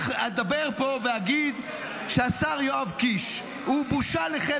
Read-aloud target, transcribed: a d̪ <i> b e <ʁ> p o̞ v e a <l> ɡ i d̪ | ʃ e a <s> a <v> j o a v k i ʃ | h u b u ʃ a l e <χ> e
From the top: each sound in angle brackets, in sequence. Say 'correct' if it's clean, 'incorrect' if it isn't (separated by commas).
incorrect, correct, incorrect, correct, incorrect, correct